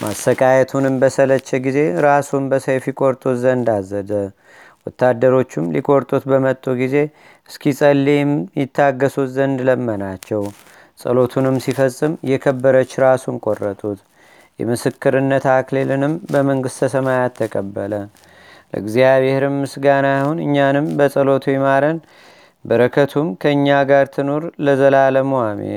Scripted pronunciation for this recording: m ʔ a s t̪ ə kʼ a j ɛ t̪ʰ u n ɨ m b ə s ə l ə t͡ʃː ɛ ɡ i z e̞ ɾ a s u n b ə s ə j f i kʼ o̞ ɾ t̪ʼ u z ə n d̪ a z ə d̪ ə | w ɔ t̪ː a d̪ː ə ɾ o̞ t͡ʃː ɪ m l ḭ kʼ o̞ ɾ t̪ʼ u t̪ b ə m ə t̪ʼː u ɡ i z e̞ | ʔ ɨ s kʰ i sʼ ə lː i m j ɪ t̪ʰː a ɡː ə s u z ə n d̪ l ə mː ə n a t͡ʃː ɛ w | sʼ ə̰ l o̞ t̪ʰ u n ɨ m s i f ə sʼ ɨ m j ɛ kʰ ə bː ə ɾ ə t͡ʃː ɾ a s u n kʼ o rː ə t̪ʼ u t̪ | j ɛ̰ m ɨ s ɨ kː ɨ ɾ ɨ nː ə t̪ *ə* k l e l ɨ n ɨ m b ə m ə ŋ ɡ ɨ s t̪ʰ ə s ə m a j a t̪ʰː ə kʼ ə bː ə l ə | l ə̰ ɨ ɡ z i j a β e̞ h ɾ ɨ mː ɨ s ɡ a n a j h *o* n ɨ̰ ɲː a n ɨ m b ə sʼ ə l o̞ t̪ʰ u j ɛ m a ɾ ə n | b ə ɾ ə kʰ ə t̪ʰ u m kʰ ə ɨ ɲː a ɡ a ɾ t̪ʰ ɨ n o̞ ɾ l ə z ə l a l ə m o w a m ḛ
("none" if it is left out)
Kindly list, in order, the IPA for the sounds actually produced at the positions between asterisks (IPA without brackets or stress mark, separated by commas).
a, u